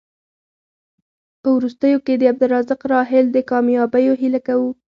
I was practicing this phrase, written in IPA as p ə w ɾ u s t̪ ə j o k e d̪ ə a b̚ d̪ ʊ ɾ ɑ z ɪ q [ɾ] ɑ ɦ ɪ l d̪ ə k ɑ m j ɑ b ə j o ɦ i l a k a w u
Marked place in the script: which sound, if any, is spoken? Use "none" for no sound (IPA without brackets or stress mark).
ɾ